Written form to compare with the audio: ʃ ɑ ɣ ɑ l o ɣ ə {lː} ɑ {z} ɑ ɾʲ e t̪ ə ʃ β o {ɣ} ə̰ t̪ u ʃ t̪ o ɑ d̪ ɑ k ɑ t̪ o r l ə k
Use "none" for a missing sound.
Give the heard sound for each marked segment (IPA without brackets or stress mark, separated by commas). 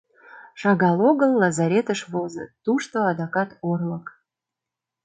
lː, z, z